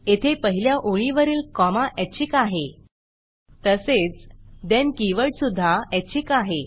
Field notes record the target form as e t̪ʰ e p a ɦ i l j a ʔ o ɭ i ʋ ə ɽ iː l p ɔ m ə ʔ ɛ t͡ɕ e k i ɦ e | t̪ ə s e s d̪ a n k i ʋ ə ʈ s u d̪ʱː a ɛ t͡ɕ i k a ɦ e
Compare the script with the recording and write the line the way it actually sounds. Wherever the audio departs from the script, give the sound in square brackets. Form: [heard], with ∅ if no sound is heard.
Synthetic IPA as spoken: e t̪ʰ e p [ə] ɦ i l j a ʔ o ɭ i ʋ ə [ɾ] iː l [k] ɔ m [a] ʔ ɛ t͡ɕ [i] k [a] ɦ e | t̪ ə s e [t͡s] d̪ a n k i ʋ ə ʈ s u d̪ʱː a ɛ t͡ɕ i k a ɦ e